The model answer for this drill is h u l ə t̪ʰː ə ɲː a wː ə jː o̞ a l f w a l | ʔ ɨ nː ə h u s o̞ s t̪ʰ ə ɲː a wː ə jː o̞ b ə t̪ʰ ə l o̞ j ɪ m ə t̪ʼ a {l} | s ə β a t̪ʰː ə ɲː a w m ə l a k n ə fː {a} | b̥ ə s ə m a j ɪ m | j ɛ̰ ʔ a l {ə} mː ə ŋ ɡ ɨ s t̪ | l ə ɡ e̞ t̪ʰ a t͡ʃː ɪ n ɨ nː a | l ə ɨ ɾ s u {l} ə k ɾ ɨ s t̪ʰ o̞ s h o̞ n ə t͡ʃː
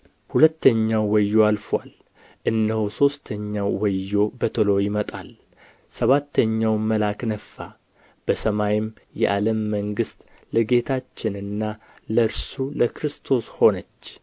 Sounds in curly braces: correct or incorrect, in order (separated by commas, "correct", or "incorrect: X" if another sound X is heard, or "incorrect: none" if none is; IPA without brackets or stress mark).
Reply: correct, correct, correct, correct